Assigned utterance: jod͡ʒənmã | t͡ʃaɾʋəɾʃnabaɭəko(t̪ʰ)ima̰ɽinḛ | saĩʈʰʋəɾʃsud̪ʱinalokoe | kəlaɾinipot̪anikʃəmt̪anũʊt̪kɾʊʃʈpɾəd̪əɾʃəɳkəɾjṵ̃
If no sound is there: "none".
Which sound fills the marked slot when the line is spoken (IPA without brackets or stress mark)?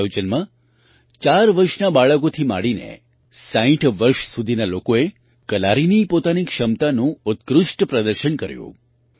t̪ʰ